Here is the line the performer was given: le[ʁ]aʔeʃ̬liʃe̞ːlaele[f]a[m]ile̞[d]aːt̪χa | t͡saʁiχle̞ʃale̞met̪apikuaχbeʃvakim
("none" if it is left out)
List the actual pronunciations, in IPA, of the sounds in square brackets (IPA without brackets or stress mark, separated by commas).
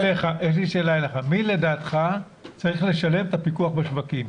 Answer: χ, χ, m, d